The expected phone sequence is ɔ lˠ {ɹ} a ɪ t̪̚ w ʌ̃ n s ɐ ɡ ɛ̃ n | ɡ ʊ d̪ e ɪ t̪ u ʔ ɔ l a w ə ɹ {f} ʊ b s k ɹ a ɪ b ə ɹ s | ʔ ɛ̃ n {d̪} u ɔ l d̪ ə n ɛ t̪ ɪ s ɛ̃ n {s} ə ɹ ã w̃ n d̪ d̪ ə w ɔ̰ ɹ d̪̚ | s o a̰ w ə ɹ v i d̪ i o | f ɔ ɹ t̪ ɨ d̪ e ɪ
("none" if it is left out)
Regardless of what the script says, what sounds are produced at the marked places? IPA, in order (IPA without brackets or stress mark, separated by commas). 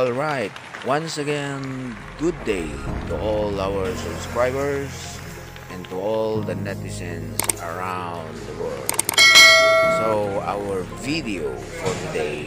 ɹ, s, t̪, s